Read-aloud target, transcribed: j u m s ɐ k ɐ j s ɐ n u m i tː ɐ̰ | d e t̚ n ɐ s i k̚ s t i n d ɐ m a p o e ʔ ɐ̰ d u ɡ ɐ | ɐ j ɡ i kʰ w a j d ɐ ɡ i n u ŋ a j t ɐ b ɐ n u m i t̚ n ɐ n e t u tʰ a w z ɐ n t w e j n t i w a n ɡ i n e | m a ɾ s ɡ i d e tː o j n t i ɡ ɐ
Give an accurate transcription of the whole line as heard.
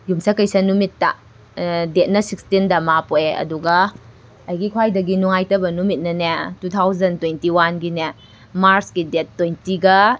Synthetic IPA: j u m s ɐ k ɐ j s ɐ n u m i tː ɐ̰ | d e t̚ n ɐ s i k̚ s t i n d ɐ m a p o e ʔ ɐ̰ d u ɡ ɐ | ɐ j ɡ i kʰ w a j d ɐ ɡ i n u ŋ a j t ɐ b ɐ n u m i t̚ n ɐ n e t u tʰ a w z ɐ n t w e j n t i w a n ɡ i n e | m a ɾ s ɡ i d e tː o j n t i ɡ ɐ

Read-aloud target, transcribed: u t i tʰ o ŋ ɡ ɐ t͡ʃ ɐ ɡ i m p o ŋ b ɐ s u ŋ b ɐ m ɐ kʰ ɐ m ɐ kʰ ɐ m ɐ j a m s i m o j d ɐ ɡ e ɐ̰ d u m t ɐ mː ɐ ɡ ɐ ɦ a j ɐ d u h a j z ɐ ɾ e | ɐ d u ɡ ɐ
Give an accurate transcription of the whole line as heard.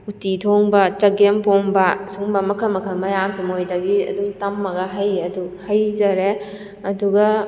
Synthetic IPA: u t i tʰ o ŋ b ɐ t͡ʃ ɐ ɡ e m p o ŋ b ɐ s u ŋ b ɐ m ɐ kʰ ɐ m ɐ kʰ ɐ m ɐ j a m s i m o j d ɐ ɡ i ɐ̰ d u ŋ t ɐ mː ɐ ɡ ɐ ɦ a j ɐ d u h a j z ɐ ɾ e | ɐ d u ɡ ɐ

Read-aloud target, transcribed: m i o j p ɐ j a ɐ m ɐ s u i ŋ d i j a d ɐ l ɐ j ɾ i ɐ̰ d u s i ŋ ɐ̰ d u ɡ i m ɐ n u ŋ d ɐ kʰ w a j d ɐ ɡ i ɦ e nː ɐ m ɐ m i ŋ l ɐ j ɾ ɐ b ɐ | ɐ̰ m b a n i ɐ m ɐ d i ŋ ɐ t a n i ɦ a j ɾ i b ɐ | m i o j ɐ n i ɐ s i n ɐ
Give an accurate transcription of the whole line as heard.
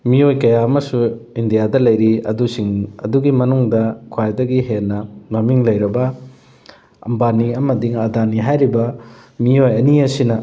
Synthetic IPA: m i o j k ɐ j a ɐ m ɐ s u i n d i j a d ɐ l ɐ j ɾ i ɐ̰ d u s i ŋ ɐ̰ d u ɡ i m ɐ n u ŋ d ɐ kʰ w a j d ɐ ɡ i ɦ e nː ɐ m ɐ m i ŋ l ɐ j ɾ ɐ b ɐ | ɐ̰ m b a n i ɐ m ɐ d i ŋ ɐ d a n i ɦ a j ɾ i b ɐ | m i o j ɐ n i ɐ s i n ɐ

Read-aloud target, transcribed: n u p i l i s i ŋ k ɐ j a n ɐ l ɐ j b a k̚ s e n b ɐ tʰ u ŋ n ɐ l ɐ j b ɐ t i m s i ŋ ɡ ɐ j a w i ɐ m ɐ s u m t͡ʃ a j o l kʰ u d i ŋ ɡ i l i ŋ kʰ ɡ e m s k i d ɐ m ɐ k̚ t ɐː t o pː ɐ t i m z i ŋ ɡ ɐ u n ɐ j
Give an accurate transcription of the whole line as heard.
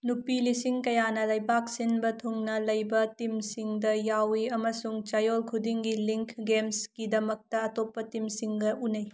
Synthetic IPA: n u p i l i s i ŋ k ɐ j a n ɐ l ɐ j b a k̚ s i n b ɐ tʰ u ŋ n ɐ l ɐ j b ɐ t i m s i ŋ d ɐ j a w i ɐ m ɐ s u ŋ t͡ʃ a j o l kʰ u d i ŋ ɡ i l i ŋ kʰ ɡ e m s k i d ɐ m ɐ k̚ t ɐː t o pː ɐ t i m s i ŋ ɡ ɐ u n ɐ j

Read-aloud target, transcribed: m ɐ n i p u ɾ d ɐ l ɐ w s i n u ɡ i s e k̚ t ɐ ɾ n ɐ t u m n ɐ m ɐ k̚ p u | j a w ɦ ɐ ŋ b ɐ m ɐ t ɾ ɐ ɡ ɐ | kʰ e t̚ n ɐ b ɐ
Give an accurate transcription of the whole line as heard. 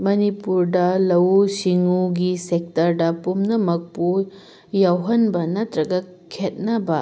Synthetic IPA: m ɐ n i p u ɾ d ɐ l ɐ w s i ŋ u ɡ i s e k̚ t ɐ ɾ d ɐ p u m n ɐ m ɐ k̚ p u | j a w ɦ ɐ n b ɐ n ɐ t ɾ ɐ ɡ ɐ | kʰ e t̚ n ɐ b ɐ

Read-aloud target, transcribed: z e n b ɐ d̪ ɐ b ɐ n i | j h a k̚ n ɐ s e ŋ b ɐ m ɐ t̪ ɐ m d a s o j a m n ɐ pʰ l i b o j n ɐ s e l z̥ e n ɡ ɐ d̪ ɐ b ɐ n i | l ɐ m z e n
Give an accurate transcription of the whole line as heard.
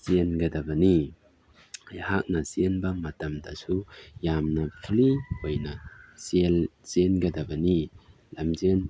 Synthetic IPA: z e n ɡ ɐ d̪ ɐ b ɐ n i | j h a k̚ n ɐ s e n b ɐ m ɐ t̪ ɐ m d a s u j a m n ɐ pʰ l i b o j n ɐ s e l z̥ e n ɡ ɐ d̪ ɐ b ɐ n i | l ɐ m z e n

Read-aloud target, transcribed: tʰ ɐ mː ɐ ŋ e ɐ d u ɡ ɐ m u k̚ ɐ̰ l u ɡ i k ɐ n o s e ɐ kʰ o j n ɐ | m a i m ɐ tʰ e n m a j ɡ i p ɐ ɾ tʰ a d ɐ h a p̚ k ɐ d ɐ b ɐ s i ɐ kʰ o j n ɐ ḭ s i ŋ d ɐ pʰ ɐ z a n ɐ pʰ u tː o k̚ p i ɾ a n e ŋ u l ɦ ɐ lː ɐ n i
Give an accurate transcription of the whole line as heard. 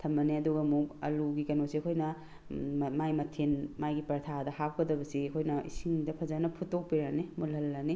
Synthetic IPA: tʰ ɐ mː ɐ n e ɐ d u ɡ ɐ m u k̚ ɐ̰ l u ɡ i k ɐ n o s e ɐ kʰ o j n ɐ | m a j m ɐ tʰ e n m a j ɡ i p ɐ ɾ tʰ a d ɐ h a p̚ k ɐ d ɐ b ɐ s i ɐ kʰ o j n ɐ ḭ s i ŋ d ɐ pʰ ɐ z a n ɐ pʰ u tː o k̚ p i ɾ a n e m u l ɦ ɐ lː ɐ n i

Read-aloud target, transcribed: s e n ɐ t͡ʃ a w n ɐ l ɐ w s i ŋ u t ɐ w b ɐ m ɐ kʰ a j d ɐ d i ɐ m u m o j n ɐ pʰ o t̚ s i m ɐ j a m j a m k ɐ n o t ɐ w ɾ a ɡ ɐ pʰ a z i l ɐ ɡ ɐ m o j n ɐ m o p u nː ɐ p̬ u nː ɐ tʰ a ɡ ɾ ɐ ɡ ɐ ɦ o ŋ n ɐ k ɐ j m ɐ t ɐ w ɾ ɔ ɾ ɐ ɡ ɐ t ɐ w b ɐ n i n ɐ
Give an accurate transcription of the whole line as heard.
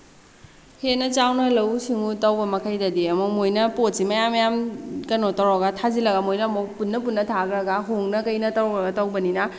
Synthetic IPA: h e n ɐ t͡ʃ a w n ɐ l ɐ w s i ŋ u t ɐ w b ɐ m ɐ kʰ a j d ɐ d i ɐ m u m o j n ɐ p o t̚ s i m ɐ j a m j a m k ɐ n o t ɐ w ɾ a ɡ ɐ tʰ a z i l ɐ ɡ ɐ m o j n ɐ m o p u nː ɐ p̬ u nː ɐ tʰ a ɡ ɾ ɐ ɡ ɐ ɦ o ŋ n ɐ k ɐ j n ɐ t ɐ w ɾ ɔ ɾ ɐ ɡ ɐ t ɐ w b ɐ n i n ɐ

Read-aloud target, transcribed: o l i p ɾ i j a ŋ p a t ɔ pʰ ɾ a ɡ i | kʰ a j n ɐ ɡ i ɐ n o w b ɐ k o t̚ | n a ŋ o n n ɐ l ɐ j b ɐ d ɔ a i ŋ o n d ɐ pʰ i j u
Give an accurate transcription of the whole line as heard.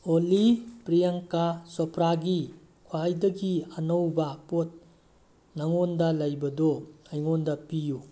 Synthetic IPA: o l i p ɾ i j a ŋ k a s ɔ pʰ ɾ a ɡ i | kʰ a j d ɐ ɡ i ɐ n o w b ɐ p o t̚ | n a ŋ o n d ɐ l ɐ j b ɐ d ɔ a j ŋ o n d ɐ p i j u

